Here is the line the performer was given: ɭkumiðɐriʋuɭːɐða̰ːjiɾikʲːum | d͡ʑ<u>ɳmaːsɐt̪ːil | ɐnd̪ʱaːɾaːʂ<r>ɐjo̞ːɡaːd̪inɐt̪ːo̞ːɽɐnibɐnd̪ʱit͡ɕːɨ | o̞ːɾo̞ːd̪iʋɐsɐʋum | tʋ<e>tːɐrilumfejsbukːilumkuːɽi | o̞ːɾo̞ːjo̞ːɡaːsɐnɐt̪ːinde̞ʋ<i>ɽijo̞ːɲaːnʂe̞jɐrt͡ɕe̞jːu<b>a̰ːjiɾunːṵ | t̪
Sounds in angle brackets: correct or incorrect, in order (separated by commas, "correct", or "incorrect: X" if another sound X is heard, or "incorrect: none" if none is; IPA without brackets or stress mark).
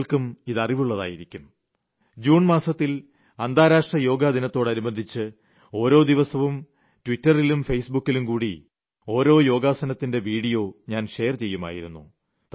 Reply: incorrect: uː, correct, incorrect: i, incorrect: iː, incorrect: m